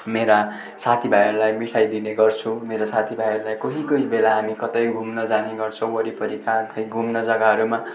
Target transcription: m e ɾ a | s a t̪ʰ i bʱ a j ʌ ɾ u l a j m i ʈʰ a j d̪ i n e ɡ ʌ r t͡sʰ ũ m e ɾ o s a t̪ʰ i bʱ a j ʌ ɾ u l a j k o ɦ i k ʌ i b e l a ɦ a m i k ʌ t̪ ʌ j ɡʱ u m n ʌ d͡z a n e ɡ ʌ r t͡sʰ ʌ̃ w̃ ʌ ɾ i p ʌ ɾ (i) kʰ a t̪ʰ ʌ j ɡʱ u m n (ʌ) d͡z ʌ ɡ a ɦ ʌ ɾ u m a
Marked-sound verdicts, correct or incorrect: correct, correct

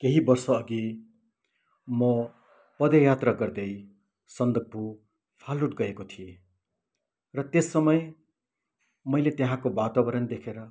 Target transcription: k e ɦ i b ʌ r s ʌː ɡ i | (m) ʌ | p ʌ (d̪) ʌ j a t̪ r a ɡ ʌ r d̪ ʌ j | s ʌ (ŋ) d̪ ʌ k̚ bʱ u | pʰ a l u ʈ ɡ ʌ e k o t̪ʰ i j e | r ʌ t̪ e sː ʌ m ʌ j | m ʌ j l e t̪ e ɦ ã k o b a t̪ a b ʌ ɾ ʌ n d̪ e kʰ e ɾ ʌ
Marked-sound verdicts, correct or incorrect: correct, correct, incorrect: n

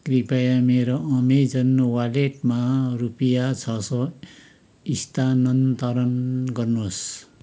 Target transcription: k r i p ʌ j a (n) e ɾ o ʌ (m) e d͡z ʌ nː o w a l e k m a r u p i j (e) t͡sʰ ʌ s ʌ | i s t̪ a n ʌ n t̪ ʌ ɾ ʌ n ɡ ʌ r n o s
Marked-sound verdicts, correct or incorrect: incorrect: m, correct, incorrect: a

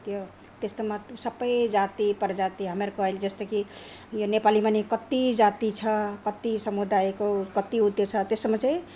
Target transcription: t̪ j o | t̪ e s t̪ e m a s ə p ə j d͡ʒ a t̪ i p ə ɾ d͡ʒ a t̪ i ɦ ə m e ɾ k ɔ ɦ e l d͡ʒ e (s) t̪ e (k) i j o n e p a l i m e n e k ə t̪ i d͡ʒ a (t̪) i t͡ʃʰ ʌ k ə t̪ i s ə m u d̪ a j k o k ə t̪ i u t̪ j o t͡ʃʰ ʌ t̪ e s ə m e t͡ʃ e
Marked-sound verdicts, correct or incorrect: correct, correct, correct

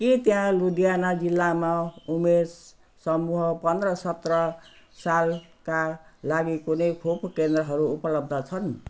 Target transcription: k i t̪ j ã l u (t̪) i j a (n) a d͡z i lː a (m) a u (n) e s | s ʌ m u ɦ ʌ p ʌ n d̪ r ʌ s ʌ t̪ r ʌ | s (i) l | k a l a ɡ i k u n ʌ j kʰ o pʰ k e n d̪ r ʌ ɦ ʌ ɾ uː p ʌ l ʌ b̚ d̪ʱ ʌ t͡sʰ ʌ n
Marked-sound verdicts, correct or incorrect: incorrect: d̪, correct, correct, incorrect: m, incorrect: a

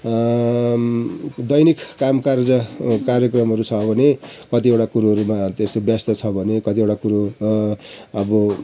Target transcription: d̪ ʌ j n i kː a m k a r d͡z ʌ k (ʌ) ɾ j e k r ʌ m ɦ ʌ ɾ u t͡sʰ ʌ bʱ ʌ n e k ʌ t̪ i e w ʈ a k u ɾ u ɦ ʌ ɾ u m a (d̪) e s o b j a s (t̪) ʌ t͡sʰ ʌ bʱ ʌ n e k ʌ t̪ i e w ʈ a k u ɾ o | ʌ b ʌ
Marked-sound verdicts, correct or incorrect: incorrect: a, incorrect: t̪, correct

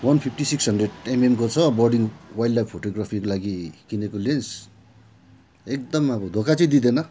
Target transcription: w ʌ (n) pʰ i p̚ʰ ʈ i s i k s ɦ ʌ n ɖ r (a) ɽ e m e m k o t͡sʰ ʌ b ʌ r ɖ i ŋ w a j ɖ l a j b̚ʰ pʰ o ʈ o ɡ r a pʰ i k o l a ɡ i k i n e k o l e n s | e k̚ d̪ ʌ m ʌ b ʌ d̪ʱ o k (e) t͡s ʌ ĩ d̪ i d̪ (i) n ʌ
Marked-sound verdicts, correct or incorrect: correct, incorrect: e, incorrect: a, incorrect: e

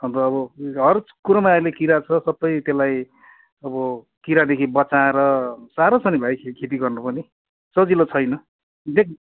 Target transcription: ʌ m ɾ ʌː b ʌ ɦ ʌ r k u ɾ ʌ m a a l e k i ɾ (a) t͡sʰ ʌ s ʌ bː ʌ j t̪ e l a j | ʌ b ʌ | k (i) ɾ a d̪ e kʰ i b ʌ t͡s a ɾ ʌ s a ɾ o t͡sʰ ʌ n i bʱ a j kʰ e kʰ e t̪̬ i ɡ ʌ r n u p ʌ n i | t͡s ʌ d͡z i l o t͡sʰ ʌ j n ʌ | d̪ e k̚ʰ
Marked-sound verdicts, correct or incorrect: correct, correct

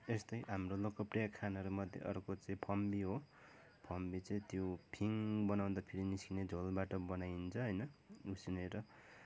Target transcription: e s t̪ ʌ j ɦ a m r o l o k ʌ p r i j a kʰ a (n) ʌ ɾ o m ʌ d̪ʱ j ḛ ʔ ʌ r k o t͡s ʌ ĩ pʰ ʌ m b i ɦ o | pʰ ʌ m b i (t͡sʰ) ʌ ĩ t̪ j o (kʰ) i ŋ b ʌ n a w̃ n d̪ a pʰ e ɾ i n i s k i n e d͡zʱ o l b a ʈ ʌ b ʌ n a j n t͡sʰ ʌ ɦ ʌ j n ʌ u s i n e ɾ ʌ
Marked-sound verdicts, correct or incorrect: correct, incorrect: t͡s, incorrect: pʰ

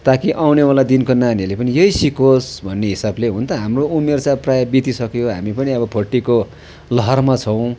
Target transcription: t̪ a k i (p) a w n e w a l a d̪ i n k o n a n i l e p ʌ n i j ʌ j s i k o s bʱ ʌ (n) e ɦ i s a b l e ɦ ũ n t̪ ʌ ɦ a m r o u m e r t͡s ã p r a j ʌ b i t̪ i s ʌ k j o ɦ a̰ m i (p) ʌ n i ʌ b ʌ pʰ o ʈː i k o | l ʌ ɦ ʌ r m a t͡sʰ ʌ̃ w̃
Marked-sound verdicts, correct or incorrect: incorrect: ʔ, incorrect: nː, correct

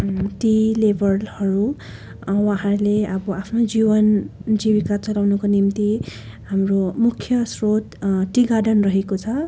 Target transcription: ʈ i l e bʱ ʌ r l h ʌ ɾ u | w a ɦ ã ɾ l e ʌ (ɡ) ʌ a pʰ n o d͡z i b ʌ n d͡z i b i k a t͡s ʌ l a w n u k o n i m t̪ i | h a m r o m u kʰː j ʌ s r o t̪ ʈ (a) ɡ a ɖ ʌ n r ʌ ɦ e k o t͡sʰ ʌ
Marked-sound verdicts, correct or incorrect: incorrect: b, incorrect: i

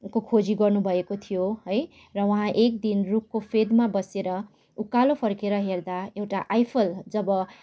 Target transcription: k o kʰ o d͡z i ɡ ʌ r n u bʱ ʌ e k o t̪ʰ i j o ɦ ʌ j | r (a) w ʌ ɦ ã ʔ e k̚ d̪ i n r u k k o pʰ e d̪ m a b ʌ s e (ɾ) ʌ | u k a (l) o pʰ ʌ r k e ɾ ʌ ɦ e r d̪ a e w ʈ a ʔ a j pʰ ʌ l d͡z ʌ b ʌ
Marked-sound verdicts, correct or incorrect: incorrect: ʌ, correct, correct

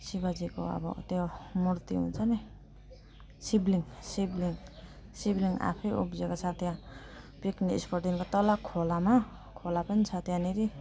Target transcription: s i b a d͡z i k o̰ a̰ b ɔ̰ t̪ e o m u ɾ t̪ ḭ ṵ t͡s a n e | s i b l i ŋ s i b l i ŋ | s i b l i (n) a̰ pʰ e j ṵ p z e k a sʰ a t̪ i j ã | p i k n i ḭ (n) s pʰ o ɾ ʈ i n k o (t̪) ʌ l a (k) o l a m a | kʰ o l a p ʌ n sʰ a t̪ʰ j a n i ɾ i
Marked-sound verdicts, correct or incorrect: incorrect: ŋ, incorrect: none, correct, incorrect: kʰ

